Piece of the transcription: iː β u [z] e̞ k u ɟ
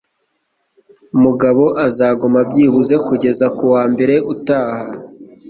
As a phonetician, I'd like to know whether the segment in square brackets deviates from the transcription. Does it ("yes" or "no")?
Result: no